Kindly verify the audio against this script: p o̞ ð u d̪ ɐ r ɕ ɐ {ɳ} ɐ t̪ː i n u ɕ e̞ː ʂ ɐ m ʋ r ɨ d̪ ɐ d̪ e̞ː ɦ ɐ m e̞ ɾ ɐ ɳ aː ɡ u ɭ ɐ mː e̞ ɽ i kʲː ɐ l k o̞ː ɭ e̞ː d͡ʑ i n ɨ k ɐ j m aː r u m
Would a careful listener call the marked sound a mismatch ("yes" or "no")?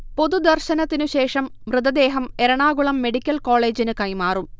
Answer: yes